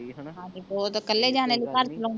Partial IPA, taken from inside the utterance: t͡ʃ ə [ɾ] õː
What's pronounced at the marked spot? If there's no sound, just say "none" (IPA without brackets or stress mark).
l